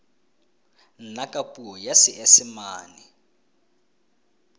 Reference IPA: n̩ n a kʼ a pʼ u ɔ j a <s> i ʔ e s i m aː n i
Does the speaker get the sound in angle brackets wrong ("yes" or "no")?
no